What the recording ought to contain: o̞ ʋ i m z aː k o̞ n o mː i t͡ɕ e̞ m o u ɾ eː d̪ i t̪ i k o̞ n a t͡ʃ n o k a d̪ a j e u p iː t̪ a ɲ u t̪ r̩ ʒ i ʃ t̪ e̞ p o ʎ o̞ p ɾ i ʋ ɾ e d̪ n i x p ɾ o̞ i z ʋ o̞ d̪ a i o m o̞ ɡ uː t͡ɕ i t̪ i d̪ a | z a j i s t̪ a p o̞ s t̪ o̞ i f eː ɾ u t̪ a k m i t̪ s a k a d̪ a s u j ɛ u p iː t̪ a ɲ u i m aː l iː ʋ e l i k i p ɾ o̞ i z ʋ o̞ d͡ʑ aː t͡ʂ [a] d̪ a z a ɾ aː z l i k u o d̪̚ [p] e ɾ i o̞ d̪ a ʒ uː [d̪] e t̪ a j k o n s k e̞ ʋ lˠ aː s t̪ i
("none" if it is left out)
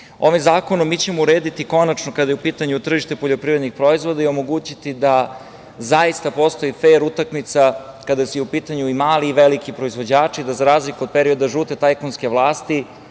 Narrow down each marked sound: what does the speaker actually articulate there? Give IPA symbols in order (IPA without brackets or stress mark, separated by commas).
i, p, t̪